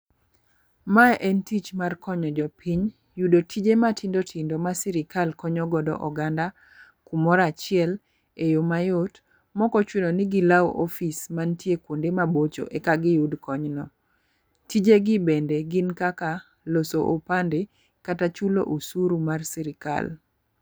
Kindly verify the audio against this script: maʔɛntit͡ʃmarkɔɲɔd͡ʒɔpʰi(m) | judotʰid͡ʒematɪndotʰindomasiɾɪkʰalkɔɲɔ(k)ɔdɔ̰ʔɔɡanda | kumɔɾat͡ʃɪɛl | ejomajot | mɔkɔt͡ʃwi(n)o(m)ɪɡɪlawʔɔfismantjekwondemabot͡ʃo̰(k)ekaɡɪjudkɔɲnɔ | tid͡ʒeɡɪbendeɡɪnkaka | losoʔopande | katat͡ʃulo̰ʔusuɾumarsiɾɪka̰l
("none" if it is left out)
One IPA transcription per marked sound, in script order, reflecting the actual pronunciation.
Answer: ɲ, ɡ, n, n, ʔ

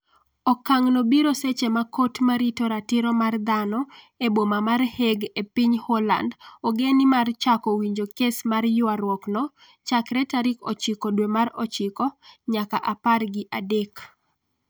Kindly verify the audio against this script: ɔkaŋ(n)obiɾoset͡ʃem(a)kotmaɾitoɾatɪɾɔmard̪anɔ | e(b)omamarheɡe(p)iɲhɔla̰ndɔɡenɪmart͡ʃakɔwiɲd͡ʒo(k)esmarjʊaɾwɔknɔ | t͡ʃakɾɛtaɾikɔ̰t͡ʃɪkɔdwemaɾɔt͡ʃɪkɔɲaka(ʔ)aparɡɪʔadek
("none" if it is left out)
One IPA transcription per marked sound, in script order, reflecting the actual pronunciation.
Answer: n, a, b, p, k, ʔ

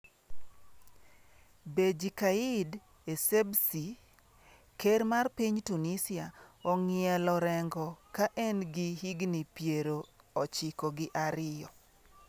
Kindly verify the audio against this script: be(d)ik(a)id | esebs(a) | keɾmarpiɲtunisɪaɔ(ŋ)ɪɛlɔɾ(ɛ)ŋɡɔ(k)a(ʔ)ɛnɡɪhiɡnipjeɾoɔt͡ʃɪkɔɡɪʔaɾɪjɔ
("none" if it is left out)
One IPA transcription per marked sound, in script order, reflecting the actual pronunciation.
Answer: d͡ʒ, a, i, ŋ, ɛ, k, ʔ

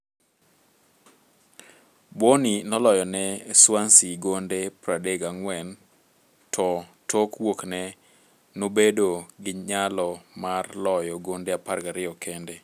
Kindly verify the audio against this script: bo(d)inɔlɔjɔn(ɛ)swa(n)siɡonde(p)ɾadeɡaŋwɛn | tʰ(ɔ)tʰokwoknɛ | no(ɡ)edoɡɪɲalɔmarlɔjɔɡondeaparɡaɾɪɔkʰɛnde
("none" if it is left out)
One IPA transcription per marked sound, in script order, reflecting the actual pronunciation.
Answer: n, ɛ, n, p, ɔ, b

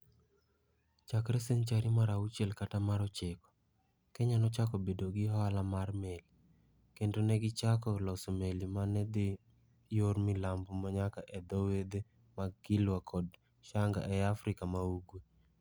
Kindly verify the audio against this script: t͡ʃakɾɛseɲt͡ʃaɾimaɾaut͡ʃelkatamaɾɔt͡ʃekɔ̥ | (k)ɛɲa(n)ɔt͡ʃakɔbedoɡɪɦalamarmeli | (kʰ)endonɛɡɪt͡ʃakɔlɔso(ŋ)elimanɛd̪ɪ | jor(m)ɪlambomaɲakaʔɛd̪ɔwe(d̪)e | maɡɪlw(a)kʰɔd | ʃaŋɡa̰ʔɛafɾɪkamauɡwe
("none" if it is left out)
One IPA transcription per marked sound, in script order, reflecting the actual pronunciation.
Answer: k, n, k, m, m, d̪, a

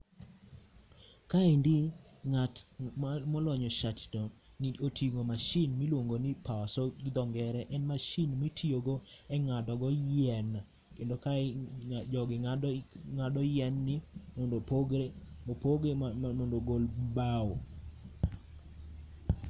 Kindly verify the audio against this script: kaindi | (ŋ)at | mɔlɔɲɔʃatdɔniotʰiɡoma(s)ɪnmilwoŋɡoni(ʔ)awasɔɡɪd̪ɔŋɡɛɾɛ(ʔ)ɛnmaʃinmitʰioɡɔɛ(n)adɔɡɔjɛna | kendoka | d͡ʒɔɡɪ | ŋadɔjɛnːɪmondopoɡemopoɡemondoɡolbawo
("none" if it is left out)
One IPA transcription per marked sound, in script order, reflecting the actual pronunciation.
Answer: ŋ, ʃ, p, ʔ, ŋ

